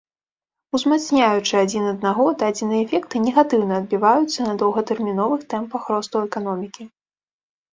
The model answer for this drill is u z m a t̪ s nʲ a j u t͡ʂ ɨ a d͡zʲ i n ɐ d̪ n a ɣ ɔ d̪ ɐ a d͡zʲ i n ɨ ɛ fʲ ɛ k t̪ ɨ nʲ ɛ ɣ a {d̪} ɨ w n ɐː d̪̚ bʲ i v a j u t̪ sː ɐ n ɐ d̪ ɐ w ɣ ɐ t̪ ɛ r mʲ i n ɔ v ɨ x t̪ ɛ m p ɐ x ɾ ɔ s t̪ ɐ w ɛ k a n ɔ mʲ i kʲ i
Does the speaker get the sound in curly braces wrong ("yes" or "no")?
yes